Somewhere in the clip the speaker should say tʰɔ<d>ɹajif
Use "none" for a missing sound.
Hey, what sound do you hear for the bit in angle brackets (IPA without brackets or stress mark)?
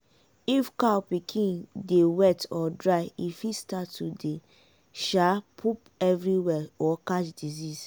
d